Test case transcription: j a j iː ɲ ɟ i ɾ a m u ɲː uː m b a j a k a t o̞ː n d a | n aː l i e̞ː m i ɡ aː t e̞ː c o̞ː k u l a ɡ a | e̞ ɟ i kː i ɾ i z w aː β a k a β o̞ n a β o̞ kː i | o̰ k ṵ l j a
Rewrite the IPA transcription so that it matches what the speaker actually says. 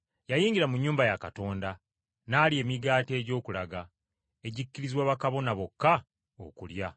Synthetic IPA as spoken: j a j iː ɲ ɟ i ɾ a m u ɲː uː m b a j a k a t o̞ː n d a | n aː l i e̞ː m i ɡ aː t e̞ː ɟ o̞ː k u l a ɡ a | e̞ ɟ i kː i ɾ i z w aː β a k a β o̞ n a β o̞ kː a | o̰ k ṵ l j a